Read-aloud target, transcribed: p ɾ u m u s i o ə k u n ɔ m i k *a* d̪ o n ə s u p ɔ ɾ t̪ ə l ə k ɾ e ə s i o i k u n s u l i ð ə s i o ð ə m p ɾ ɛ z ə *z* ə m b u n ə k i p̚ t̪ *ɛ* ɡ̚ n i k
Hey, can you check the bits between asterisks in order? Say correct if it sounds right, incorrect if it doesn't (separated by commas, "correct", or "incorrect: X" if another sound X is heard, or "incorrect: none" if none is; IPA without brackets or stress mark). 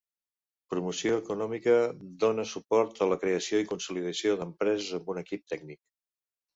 incorrect: ə, correct, correct